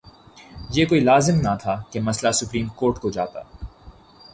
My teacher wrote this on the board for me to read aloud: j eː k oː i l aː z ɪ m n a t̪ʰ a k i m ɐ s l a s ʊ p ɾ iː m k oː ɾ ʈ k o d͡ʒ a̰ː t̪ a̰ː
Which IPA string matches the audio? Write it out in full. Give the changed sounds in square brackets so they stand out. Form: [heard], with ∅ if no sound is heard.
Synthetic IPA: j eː k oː i l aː z ɪ m n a t̪ʰ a k [e] m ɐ s l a s ʊ p ɾ iː m k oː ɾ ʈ k o d͡ʒ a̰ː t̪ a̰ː

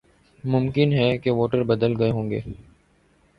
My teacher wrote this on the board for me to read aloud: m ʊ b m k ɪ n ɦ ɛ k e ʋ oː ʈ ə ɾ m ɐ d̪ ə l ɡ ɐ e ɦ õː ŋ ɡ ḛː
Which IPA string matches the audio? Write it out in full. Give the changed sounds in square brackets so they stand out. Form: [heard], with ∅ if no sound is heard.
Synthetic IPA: m ʊ [∅] m k ɪ n ɦ ɛ k e ʋ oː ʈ ə ɾ [b] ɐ d̪ ə l ɡ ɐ e ɦ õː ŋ ɡ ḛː

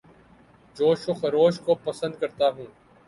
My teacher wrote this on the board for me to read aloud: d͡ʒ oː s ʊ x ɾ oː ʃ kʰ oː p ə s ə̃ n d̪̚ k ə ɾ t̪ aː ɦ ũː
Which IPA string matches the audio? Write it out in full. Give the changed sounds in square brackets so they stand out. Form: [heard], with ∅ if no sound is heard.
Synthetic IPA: d͡ʒ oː [ʃ] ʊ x ɾ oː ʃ [k] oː p ə s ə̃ n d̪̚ k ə ɾ t̪ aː ɦ ũː

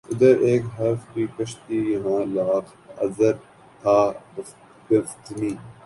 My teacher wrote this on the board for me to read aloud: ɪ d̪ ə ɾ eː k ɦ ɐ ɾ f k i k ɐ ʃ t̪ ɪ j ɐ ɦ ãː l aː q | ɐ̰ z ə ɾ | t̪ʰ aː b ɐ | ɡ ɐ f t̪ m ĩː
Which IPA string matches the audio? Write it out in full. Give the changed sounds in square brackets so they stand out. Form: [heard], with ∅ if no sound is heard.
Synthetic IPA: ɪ d̪ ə ɾ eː k ɦ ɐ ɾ f k i k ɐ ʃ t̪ [i] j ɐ ɦ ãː l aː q | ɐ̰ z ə ɾ | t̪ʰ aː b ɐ | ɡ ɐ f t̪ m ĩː

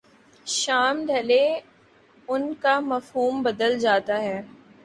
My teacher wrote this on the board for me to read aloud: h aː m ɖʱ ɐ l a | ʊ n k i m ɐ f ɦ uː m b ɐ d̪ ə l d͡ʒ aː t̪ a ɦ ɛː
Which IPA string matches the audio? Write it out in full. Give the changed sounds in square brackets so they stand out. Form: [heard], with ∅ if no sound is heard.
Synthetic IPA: [ʃ] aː m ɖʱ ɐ l [e] | ʊ n k [a] m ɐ f ɦ uː m b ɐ d̪ ə l d͡ʒ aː t̪ a ɦ ɛː

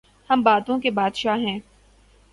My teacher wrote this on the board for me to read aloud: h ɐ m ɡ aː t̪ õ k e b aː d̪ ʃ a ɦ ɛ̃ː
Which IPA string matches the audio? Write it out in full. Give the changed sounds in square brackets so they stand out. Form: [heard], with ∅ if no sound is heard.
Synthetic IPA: h ɐ m [b] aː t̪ õ k e b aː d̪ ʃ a ɦ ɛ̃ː

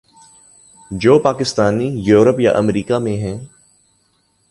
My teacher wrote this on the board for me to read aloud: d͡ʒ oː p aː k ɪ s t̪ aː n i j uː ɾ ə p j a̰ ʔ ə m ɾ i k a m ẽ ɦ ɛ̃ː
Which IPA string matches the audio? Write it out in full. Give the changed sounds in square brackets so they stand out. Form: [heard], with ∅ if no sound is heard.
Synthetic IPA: d͡ʒ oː p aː k ɪ s t̪ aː n i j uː ɾ ə p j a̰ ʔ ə m ɾ [iː] k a m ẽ ɦ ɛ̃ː

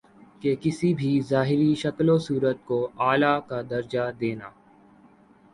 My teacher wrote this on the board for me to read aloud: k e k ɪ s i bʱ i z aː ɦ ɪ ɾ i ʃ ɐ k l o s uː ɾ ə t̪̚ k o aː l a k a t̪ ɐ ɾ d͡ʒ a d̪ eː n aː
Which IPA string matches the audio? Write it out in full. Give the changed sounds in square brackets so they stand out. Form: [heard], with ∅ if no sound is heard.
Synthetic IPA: k e k ɪ s i bʱ i z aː ɦ ɪ ɾ i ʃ ɐ k l o s uː ɾ ə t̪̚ k o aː l a k a [d̪] ɐ ɾ d͡ʒ a d̪ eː n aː

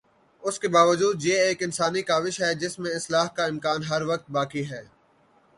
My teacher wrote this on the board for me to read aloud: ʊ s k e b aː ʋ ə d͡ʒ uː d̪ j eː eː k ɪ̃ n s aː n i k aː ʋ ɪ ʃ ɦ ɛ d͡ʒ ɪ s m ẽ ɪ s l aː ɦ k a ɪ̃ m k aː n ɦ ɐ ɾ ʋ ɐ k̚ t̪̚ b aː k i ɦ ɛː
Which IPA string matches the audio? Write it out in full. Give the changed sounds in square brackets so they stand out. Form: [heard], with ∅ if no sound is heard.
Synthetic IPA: ʊ s k e b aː ʋ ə d͡ʒ uː d̪ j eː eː k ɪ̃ n s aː n i k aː ʋ ɪ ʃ ɦ ɛ d͡ʒ ɪ s m ẽ ɪ s l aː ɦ k a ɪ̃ m k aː n ɦ ɐ ɾ ʋ ɐ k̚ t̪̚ b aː k i ɦ ɛː

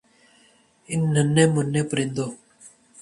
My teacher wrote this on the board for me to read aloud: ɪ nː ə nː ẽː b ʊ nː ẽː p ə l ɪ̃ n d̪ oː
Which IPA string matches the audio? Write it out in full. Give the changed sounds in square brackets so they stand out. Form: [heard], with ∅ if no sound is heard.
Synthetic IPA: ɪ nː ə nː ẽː [m] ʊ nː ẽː p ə [ɾ] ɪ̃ n d̪ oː

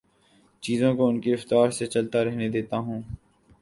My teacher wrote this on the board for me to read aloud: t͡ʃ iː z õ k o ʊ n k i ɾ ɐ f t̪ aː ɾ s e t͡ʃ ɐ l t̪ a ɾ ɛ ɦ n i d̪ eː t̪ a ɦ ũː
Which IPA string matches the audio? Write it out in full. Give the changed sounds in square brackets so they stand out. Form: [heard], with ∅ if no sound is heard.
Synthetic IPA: t͡ʃ iː z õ k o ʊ n k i ɾ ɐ f t̪ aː ɾ s e t͡ʃ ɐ l t̪ a ɾ ɛ ɦ n [e] d̪ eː t̪ a ɦ ũː

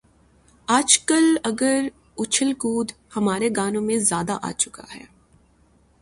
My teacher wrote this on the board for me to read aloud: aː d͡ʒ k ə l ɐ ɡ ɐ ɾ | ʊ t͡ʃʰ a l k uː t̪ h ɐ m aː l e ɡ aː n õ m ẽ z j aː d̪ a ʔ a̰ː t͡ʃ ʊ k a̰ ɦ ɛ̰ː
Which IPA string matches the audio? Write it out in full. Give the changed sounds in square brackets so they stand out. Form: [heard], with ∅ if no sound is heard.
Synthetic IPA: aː d͡ʒ k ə l ɐ ɡ [ə] ɾ | ʊ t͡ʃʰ [ə] l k uː [d̪] h ɐ m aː [ɾ] e ɡ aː n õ m ẽ z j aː d̪ a ʔ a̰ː t͡ʃ ʊ k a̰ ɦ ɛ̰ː

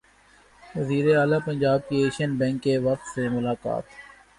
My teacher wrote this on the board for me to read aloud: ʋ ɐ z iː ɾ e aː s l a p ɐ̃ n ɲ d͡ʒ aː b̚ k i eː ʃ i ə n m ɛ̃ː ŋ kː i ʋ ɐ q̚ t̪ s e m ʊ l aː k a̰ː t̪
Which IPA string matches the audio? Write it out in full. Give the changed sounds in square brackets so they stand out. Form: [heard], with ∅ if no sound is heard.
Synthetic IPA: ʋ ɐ z iː ɾ e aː [∅] l a p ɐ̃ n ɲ d͡ʒ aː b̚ k i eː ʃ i ə n [b] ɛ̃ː ŋ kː [e] ʋ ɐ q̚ t̪ s e m ʊ l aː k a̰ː t̪

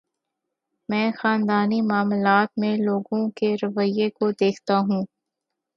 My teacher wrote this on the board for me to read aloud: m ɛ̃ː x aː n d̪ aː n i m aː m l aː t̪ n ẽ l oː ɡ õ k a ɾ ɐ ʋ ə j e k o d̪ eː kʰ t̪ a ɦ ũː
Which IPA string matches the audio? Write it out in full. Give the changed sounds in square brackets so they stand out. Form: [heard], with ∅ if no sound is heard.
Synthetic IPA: m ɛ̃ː x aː n d̪ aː n i m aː m l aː t̪ [m] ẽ l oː ɡ õ k [e] ɾ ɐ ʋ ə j e k o d̪ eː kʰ t̪ a ɦ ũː

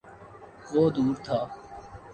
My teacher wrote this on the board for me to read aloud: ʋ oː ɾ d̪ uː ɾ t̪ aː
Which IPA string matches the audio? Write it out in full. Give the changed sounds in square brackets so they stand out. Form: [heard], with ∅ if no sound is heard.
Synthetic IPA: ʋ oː [∅] d̪ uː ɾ [t̪ʰ] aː

